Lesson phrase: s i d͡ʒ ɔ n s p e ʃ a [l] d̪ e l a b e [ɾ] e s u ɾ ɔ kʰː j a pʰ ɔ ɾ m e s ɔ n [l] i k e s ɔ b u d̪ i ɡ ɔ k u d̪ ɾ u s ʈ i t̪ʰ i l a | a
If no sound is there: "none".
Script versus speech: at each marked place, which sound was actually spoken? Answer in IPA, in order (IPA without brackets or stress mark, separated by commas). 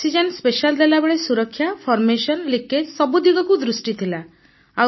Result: l, ɭ, l